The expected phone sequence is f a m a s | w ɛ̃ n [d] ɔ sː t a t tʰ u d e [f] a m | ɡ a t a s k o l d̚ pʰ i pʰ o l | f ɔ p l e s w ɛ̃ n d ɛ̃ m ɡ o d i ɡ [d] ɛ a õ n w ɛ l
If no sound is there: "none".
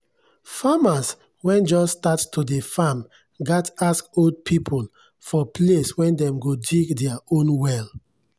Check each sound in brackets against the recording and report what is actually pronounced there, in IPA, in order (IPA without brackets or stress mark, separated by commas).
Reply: d͡ʒ, f, d